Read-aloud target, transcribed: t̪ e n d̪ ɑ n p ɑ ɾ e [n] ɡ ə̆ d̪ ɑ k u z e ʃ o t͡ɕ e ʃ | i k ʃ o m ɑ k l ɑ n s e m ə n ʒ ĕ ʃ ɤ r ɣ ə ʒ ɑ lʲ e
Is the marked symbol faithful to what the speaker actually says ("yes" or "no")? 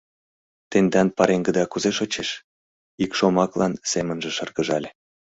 no